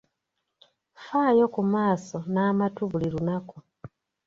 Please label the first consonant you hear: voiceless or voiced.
voiceless